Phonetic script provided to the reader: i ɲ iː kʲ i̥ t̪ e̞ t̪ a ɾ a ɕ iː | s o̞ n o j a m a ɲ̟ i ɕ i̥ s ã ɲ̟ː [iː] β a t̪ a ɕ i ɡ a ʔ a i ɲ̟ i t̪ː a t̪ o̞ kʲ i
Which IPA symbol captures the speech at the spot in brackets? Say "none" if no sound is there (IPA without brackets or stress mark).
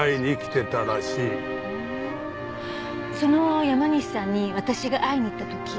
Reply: i